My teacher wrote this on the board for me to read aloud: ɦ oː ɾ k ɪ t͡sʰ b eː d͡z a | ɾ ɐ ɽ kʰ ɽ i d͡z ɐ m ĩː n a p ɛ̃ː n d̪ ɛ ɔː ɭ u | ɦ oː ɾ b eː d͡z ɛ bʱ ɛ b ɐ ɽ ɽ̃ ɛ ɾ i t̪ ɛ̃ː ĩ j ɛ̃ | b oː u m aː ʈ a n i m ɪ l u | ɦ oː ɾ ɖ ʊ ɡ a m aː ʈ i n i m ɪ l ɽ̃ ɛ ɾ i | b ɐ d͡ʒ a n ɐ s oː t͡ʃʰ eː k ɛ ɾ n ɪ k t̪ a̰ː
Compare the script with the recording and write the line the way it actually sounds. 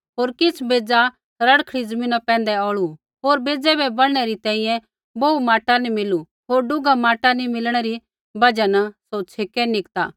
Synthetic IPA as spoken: ɦ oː ɾ k ɪ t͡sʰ b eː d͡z a | ɾ ɐ ɽ kʰ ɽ i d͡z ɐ m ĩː n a p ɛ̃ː n d̪ ɛ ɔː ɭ u | ɦ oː ɾ b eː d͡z ɛ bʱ ɛ b ɐ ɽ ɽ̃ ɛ ɾ i t̪ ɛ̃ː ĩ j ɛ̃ | b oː u m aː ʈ a n i m ɪ l u | ɦ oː ɾ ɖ ʊ ɡ a m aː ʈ a n i m ɪ l ɽ̃ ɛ ɾ i | b ɐ d͡ʒ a n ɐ s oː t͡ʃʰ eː k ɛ n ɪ k t̪ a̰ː

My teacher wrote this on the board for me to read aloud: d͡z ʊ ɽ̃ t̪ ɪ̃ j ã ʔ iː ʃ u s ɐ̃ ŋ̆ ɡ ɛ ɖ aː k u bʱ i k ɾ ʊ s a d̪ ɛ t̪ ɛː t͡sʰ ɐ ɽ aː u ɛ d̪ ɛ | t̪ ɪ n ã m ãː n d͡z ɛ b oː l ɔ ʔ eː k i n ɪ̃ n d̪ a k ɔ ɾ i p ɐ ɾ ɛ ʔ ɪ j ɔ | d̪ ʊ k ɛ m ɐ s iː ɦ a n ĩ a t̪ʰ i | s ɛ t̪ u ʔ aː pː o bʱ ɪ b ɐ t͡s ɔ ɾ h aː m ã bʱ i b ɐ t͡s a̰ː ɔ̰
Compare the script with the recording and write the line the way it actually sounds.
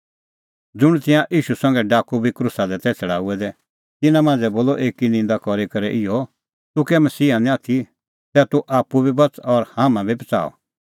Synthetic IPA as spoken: d͡z ʊ ɽ̃ t̪ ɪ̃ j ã ʔ iː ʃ u s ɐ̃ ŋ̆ ɡ ɛ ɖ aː k u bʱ i k ɾ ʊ s a d̪ ɛ t̪ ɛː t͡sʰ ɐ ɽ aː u ɛ d̪ ɛ | t̪ ɪ n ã m ãː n d͡z ɛ b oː l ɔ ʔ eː k i n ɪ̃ n d̪ a k ɔ ɾ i k ɐ ɾ ɛ ʔ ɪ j ɔ | t̪ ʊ k ɛ m ɐ s iː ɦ a n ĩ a t̪ʰ i | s ɛ t̪ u ʔ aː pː u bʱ i b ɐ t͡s ɔ ɾ h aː m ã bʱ i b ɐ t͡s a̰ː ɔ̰

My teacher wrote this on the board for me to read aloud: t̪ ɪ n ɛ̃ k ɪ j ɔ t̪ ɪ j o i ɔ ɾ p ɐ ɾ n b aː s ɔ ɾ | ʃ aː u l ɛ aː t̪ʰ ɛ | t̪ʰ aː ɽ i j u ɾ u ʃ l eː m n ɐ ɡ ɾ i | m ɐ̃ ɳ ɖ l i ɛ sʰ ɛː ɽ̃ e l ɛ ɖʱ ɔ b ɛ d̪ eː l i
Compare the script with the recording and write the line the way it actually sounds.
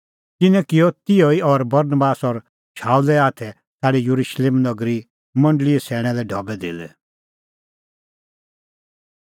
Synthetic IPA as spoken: t̪ ɪ n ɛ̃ k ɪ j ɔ t̪ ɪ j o i ɔ ɾ b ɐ ɾ n b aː s ɔ ɾ | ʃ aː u l ɛ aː t̪ʰ ɛ | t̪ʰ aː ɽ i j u ɾ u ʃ l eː m n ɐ ɡ ɾ i | m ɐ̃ ɳ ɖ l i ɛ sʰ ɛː ɽ̃ ɛ l ɛ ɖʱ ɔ b ɛ d̪ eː l ɛ

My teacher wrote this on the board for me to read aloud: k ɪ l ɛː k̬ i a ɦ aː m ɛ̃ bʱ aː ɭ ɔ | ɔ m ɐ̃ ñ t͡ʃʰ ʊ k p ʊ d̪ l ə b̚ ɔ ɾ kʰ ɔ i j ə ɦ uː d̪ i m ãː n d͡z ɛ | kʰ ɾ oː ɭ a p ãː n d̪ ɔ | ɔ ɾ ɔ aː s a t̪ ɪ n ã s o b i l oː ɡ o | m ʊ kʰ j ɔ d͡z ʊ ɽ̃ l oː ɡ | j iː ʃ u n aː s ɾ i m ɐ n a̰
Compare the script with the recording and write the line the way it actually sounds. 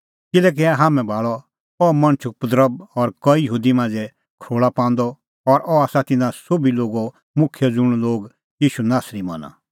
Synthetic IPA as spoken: k ɪ l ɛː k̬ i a ɦ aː m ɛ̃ bʱ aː ɭ ɔ | ɔ m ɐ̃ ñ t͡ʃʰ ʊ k p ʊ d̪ ɾ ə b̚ ɔ ɾ k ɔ i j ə ɦ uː d̪ i m ãː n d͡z ɛ | kʰ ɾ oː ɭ a p ãː n d̪ ɔ | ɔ ɾ ɔ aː s a t̪ ɪ n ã s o b i l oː ɡ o | m ʊ kʰ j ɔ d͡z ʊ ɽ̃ l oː ɡ | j iː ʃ u n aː s ɾ i m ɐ n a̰

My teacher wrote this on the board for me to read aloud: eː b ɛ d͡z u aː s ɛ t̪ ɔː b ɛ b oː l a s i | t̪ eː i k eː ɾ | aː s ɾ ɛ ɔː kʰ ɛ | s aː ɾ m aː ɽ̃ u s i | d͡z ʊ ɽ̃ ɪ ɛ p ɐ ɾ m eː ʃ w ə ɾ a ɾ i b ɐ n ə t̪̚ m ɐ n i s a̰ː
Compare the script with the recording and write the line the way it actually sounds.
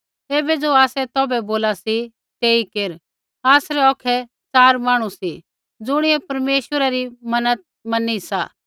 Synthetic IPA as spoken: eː b ɛ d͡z o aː s ɛ t̪ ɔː b ɛ b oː l a s i | t̪ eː i k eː ɾ | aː s ɾ ɛ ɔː kʰ ɛ | t͡s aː ɾ m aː ɽ̃ u s i | d͡z ʊ ɽ̃ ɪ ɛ p ɐ ɾ m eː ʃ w ə ɾ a ɾ i m ɐ n ə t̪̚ m ɐ n i s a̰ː

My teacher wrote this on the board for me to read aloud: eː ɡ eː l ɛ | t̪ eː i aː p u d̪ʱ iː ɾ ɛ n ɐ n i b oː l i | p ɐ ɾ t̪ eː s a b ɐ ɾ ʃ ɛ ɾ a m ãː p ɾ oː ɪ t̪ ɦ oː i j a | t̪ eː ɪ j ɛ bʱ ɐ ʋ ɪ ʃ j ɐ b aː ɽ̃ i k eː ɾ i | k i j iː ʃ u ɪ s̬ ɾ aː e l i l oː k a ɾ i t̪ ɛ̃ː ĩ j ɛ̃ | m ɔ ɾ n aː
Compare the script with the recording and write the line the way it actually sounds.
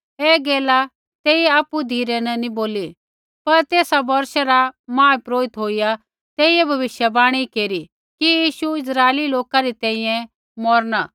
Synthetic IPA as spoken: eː ɡ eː l a | t̪ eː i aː p u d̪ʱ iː ɾ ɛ n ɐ n i b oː l i | p ɐ ɾ t̪ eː s a b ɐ ɾ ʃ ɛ ɾ a m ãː p ɾ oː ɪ t̪ ɦ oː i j a | t̪ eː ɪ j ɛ bʱ ɐ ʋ ɪ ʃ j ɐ b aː ɽ̃ i k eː ɾ i | k i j iː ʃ u ɪ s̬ ɾ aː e l i l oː k a ɾ i t̪ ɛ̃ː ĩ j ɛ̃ | m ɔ ɾ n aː

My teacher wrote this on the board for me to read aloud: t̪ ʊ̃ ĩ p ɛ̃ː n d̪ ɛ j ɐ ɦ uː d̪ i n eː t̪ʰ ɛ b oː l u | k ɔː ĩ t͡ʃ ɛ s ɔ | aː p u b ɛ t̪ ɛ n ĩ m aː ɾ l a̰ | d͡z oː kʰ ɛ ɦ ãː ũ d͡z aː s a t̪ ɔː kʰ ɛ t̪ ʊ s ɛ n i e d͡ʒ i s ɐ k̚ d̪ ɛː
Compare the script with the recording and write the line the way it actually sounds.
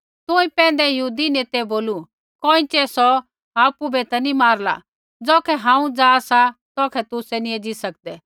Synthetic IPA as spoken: t̪ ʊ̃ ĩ p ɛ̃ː n d̪ ɛ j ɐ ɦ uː d̪ i n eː t̪ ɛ b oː l u | k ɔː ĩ t͡ʃ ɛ s ɔ | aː p u b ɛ t̪ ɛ n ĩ m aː ɾ l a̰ | d͡z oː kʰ ɛ ɦ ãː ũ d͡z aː s a t̪ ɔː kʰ ɛ t̪ ʊ s ɛ n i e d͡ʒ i s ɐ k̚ d̪ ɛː

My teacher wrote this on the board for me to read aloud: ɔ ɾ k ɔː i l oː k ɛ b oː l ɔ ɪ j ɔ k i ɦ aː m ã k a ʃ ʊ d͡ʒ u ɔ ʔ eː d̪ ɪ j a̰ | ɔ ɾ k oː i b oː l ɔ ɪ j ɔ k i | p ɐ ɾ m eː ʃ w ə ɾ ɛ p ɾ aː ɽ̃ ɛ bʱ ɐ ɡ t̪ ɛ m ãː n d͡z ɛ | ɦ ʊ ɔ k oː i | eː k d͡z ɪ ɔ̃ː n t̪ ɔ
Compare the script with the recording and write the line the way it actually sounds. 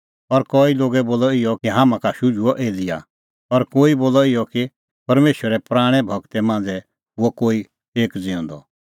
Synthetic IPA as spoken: ɔ ɾ k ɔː i l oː ɡ ɛ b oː l ɔ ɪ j ɔ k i ɦ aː m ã k a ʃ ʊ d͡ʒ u ɔ ʔ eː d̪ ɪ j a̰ | ɔ ɾ k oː i b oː l ɔ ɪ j ɔ k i | p ɐ ɾ m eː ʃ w ə ɾ ɛ p ɾ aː ɽ̃ ɛ bʱ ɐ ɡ t̪ ɛ m ãː n d͡z ɛ | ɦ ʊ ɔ k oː i | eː k d͡z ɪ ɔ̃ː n d̪ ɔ

